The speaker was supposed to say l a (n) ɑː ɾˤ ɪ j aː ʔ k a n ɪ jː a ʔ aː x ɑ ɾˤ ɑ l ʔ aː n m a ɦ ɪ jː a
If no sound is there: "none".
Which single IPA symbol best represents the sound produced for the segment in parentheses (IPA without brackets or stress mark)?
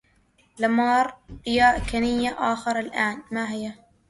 m